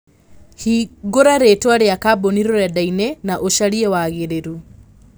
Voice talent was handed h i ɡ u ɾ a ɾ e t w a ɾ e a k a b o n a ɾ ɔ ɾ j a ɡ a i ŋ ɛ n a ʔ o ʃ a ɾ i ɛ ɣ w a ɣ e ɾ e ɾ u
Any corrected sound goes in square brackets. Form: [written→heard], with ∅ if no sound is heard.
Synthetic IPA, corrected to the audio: h i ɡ [u→o] ɾ a ɾ e t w a ɾ e a k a b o n [a→i] ɾ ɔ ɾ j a [ɡ→d] a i [ŋ→n] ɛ n a ʔ o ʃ a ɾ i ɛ [ɣ→∅] w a ɣ e ɾ e ɾ u